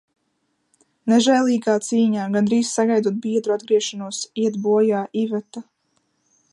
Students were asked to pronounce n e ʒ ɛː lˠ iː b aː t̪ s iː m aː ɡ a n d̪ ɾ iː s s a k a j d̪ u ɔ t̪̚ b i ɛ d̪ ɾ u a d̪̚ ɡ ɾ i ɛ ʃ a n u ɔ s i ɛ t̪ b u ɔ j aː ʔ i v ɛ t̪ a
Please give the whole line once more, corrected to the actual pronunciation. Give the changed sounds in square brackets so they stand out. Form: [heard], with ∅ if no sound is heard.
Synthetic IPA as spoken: n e ʒ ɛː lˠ iː [ɡ] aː t̪ s iː [ɲ] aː ɡ a n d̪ ɾ iː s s a [ɡ] a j d̪ u ɔ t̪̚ b i ɛ d̪ ɾ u a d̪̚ ɡ ɾ i ɛ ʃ a n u ɔ s i ɛ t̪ b u ɔ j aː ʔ i v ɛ t̪ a